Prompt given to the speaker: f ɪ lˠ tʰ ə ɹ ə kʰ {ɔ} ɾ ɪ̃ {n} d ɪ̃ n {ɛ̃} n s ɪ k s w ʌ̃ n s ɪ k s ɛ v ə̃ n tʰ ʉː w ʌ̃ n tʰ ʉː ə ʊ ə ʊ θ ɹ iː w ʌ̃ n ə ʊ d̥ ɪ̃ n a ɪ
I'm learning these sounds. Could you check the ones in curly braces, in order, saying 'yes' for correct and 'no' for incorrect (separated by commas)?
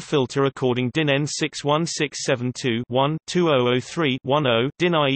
no, no, yes